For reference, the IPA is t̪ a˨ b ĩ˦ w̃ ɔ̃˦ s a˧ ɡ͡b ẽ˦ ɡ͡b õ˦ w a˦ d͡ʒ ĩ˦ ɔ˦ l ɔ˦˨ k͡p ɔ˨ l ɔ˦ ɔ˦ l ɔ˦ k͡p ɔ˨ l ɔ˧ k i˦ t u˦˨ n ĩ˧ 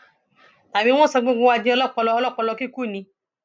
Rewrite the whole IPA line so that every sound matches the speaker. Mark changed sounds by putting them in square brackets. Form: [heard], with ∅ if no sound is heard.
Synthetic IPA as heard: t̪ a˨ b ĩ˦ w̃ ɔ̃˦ s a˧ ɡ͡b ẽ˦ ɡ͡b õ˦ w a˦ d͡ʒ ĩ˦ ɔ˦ l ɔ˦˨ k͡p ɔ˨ l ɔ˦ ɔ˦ l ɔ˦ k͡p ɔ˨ l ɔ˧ k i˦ [k] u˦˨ n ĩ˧